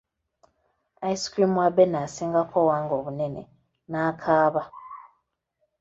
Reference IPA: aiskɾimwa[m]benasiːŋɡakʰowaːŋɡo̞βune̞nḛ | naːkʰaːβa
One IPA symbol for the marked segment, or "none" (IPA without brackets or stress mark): none